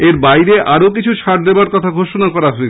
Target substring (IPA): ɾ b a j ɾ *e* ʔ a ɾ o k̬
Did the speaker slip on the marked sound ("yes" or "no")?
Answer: no